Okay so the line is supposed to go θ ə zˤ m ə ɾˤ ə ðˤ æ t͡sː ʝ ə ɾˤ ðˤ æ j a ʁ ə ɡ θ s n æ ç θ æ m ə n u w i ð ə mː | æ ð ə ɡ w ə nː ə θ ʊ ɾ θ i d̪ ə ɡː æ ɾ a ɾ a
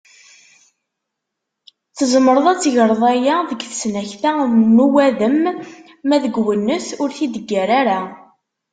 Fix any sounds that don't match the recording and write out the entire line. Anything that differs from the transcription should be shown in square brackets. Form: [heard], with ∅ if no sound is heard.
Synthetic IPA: θ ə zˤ m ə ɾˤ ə ðˤ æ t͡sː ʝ ə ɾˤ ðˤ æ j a [ð] ə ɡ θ s n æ ç θ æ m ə n u w [æ] ð ə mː | æ ð ə ɡ w ə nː ə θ ʊ ɾ θ i d̪ ə ɡː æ ɾ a ɾ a